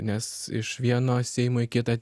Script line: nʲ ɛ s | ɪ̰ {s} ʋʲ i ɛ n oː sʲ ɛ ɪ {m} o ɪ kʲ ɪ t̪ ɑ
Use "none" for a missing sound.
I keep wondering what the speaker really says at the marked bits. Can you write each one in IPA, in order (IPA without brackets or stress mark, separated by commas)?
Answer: ʃ, m